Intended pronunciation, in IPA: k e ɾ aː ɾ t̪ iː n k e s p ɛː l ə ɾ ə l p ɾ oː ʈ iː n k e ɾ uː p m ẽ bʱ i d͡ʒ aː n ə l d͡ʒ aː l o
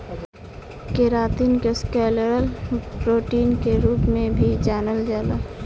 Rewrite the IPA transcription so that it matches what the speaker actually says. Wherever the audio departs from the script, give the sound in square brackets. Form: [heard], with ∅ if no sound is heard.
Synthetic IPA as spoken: k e ɾ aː [∅] t̪ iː n k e s [k] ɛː l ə ɾ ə l p ɾ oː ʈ iː n k e ɾ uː p m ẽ bʱ i d͡ʒ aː n ə l d͡ʒ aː l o